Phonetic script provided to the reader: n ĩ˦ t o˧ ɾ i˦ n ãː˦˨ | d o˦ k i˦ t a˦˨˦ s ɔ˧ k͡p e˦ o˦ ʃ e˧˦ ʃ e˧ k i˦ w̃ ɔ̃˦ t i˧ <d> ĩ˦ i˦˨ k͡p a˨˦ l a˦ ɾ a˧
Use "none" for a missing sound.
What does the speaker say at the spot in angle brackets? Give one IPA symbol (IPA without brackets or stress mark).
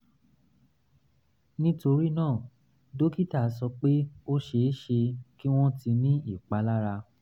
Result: n